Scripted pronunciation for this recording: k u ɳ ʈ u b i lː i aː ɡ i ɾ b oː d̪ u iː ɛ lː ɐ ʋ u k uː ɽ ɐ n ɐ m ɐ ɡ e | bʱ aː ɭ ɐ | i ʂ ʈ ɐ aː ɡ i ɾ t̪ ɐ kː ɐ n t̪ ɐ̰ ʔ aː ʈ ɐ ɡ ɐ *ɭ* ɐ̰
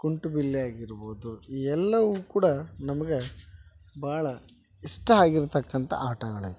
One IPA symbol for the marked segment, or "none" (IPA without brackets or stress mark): ɭ